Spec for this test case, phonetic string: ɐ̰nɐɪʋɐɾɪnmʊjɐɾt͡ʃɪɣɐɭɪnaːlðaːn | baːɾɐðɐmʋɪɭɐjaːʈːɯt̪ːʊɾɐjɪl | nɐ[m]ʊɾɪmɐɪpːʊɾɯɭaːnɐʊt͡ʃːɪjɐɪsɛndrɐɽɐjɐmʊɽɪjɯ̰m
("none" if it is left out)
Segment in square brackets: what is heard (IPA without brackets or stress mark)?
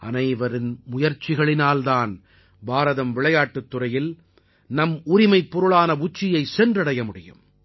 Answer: m